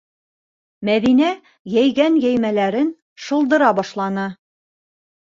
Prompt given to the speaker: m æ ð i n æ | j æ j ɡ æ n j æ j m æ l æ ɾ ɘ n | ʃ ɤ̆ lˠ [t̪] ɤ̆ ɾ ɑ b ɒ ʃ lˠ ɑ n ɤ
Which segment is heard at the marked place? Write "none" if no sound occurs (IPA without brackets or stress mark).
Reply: d̪